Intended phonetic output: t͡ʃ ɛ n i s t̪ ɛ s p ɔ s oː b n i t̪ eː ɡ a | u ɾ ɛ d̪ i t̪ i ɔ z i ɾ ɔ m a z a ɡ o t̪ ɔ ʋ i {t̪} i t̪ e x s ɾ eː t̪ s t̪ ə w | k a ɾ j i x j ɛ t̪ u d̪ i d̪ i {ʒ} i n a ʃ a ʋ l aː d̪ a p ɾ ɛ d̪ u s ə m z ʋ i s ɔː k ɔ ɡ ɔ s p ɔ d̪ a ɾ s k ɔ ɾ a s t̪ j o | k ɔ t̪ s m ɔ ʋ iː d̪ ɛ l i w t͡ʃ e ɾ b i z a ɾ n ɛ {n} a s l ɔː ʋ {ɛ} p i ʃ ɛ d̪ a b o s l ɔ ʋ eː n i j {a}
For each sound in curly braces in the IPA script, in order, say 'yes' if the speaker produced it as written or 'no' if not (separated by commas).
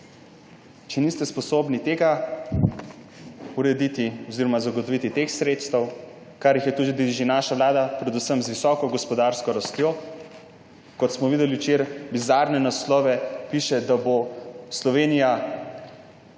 yes, yes, yes, yes, yes